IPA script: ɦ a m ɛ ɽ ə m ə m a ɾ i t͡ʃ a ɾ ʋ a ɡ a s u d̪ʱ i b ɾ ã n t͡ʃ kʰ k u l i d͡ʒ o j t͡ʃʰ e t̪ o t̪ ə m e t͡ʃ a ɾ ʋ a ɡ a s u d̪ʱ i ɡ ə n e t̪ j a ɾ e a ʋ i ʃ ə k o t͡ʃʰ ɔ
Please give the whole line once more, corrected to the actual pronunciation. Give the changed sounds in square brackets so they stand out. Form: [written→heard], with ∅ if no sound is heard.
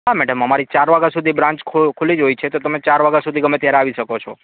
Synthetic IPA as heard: ɦ a m ɛ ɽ ə m ə m a ɾ i t͡ʃ a ɾ ʋ a ɡ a s u d̪ʱ i b ɾ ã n t͡ʃ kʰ [k→kʰ] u l i d͡ʒ o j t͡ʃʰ e t̪ o t̪ ə m e t͡ʃ a ɾ ʋ a ɡ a s u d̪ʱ i ɡ ə [n→m] e t̪ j a ɾ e a ʋ i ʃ ə k o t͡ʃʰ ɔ